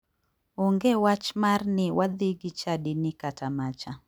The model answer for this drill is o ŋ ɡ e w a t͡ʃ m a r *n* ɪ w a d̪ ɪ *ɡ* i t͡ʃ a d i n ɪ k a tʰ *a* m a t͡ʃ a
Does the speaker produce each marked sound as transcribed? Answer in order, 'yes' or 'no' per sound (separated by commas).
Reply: yes, yes, yes